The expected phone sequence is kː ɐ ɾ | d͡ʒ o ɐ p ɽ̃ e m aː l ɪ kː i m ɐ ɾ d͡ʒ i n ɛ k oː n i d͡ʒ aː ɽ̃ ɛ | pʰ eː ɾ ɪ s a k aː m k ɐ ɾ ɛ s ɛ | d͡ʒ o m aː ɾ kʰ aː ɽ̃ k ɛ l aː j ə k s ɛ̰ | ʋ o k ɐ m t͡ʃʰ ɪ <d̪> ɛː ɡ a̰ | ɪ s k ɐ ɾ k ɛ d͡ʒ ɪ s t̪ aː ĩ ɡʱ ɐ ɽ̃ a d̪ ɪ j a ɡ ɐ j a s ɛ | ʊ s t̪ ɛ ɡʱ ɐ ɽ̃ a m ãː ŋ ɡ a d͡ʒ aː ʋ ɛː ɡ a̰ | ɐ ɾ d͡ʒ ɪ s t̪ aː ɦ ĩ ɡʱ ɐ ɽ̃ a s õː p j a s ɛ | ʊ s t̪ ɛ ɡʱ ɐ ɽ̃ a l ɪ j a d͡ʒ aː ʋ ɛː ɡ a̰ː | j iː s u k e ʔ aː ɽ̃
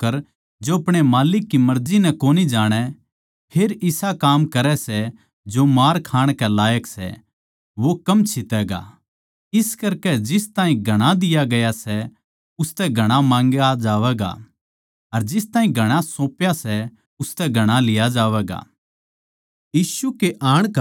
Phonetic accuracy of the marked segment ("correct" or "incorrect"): incorrect